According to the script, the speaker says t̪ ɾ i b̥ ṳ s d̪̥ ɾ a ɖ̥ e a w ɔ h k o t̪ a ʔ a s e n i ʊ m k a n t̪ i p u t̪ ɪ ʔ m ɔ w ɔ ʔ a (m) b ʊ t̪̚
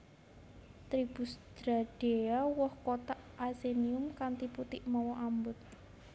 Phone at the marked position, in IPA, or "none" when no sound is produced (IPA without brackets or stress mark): m